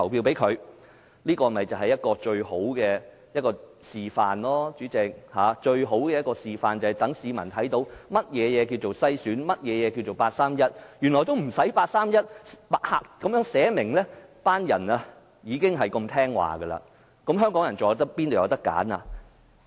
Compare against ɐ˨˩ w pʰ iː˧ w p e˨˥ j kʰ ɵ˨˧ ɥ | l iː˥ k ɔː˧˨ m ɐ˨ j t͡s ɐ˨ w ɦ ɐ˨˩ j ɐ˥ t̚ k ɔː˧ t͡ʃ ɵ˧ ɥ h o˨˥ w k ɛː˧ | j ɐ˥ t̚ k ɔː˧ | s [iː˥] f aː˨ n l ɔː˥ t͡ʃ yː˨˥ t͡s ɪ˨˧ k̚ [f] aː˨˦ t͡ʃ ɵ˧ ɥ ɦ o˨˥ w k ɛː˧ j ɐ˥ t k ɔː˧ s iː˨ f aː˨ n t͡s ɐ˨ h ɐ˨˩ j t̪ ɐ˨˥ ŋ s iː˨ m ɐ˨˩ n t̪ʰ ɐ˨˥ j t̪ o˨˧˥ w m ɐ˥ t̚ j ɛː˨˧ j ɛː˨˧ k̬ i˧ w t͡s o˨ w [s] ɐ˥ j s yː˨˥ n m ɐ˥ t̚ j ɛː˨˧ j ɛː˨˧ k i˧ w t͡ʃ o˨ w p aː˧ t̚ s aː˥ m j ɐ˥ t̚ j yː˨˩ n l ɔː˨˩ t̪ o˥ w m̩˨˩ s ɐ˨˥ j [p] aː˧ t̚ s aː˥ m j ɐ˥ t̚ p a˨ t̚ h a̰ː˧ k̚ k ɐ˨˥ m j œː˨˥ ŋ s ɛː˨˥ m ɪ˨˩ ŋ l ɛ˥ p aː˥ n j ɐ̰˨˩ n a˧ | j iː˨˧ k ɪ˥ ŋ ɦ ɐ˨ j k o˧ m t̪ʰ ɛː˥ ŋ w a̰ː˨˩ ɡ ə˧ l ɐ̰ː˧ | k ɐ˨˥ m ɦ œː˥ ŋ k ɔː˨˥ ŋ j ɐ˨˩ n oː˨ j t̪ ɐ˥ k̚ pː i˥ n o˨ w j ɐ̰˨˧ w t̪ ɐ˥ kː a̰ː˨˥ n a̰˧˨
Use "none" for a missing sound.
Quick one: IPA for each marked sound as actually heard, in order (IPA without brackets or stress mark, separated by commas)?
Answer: iː˨, h, s, p